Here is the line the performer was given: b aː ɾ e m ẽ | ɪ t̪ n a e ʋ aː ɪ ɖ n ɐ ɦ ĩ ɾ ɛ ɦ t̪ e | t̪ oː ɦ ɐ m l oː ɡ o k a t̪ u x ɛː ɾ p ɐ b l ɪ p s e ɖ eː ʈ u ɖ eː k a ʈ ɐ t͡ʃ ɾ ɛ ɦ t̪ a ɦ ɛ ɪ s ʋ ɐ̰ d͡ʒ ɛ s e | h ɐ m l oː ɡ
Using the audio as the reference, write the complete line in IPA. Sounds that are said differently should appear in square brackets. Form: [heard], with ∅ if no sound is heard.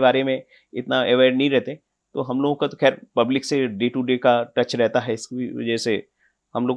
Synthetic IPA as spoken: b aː ɾ e m ẽ | ɪ t̪ n a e ʋ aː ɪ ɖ n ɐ ɦ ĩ ɾ ɛ ɦ t̪ e | t̪ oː ɦ ɐ m l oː ɡ [õ] k a t̪ [o] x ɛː ɾ p ɐ b l ɪ [k] s e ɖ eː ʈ u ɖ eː k a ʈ ɐ t͡ʃ ɾ ɛ ɦ t̪ a ɦ ɛ ɪ s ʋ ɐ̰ d͡ʒ ɛ s e | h ɐ m l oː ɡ